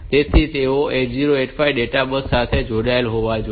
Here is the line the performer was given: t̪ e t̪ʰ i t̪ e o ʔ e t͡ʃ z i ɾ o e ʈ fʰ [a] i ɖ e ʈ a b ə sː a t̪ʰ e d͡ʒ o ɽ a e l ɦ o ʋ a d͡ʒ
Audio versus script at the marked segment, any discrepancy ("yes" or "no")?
no